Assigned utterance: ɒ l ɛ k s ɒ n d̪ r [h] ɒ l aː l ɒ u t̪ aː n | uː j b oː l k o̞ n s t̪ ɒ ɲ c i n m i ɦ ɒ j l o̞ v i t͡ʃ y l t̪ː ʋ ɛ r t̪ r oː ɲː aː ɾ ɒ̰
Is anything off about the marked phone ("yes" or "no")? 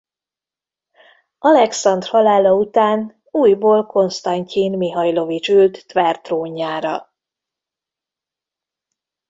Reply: no